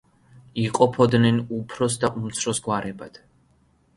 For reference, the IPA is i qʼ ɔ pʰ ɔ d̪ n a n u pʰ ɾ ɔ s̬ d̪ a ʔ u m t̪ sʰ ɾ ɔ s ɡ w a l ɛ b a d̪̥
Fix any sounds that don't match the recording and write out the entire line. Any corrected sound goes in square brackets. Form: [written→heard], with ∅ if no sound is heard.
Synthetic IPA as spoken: i qʼ ɔ pʰ ɔ d̪ n [a→ɛ] n u pʰ ɾ ɔ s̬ d̪ a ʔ u m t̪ sʰ ɾ ɔ s ɡ w a [l→ɾ] ɛ b a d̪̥